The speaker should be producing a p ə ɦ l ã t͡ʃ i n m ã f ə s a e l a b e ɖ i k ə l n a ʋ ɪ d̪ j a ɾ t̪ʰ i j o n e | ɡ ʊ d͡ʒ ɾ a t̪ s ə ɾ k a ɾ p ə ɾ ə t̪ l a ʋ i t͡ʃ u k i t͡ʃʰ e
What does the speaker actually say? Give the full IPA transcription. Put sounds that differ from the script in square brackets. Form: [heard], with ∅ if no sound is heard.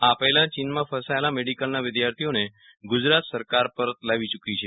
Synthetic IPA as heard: a p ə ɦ l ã t͡ʃ i n m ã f ə s a e l a [m] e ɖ i k ə l n a ʋ ɪ d̪ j a ɾ t̪ʰ i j o n e | ɡ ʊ d͡ʒ ɾ a t̪ s ə ɾ k a ɾ p ə ɾ ə t̪ l a ʋ i t͡ʃ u k i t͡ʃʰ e